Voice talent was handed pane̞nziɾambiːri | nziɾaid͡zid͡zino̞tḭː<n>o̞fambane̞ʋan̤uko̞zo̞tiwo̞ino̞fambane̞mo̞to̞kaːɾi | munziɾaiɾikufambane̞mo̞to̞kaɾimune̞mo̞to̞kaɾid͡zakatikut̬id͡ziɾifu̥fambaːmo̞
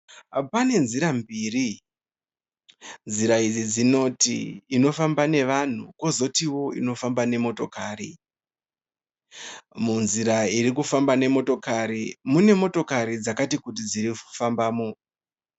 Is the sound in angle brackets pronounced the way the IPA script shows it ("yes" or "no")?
yes